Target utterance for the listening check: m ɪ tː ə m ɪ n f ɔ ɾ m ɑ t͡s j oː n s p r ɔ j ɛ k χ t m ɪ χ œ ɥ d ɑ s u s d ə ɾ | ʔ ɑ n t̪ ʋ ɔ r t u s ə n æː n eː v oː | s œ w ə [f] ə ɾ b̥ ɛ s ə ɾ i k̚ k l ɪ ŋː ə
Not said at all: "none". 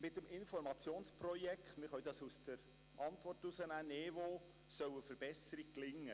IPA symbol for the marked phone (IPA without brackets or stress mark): f